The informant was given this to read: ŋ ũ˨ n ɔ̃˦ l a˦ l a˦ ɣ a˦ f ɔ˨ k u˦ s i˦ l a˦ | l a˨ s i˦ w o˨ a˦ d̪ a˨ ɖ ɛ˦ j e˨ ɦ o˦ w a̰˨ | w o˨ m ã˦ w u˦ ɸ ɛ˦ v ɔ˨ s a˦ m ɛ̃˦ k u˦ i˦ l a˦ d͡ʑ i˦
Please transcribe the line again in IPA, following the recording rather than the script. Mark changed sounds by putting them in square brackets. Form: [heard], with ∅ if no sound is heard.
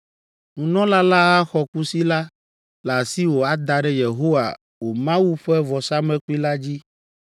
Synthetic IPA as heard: ŋ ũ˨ n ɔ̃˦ l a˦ l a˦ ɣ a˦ [x] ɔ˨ k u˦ s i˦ l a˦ | l a˨ s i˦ w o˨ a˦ d̪ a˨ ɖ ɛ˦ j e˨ ɦ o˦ w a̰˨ | w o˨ m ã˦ w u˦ ɸ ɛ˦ v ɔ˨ s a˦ m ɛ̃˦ k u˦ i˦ l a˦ d͡ʑ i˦